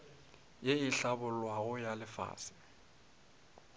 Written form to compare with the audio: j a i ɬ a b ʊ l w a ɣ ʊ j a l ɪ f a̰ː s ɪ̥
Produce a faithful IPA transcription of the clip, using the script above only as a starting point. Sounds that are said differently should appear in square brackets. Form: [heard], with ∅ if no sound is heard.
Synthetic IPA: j [e] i ɬ a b ʊ l w a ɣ ʊ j a l ɪ f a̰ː s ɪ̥